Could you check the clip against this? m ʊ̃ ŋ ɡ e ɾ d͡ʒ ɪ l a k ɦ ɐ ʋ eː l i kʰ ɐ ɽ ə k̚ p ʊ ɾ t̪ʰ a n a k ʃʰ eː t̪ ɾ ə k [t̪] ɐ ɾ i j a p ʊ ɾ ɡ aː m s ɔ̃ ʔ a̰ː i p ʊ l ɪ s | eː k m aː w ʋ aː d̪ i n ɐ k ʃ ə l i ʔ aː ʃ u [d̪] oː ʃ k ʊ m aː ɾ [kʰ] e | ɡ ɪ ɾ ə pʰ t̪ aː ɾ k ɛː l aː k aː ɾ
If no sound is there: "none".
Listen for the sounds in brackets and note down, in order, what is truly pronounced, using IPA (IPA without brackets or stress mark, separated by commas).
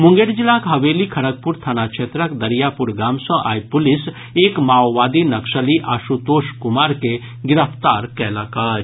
d̪, t̪, k